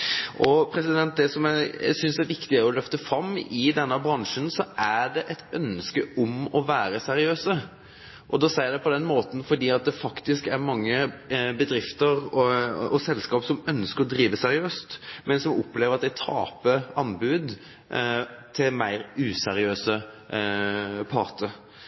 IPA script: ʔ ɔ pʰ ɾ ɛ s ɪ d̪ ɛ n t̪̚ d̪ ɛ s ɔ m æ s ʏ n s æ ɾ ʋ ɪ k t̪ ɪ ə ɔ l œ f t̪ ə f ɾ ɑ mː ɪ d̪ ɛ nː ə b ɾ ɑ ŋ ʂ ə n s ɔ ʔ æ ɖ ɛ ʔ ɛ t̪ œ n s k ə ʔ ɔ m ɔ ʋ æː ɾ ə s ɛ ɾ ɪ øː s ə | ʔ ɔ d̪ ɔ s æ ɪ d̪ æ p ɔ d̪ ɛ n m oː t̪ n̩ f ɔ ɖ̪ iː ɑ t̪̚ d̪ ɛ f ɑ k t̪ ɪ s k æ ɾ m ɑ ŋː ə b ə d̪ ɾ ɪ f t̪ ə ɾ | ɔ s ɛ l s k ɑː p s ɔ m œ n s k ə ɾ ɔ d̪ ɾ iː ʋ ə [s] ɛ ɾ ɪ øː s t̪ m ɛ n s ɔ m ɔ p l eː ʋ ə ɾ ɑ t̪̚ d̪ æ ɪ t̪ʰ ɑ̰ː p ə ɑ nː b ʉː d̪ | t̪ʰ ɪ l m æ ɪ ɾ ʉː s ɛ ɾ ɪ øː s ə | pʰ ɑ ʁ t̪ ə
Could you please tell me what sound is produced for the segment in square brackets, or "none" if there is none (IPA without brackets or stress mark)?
s